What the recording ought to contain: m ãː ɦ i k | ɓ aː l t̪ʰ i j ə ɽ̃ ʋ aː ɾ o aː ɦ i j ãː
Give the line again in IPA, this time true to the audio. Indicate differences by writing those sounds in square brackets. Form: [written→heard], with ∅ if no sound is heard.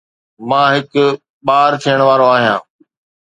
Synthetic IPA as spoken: m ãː ɦ [i→ɪ] k | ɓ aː [l→ɾ] t̪ʰ i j ə ɽ̃ ʋ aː ɾ o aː ɦ i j ãː